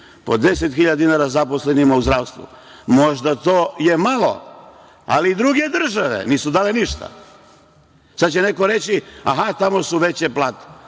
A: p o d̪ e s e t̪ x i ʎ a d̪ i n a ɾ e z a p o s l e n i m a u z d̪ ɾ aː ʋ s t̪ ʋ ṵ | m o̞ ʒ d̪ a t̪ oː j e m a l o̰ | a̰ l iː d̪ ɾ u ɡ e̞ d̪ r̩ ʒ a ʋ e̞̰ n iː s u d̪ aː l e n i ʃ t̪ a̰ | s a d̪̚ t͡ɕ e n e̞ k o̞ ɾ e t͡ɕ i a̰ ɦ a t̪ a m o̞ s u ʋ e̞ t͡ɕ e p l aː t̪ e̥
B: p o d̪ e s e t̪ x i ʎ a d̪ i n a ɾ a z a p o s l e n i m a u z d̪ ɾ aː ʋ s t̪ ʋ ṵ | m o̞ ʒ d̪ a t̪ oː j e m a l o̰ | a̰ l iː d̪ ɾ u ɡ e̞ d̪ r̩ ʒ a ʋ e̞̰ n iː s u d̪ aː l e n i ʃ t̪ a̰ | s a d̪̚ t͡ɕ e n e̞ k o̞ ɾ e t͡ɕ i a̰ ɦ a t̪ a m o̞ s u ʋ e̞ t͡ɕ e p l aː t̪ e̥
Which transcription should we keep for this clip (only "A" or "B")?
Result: B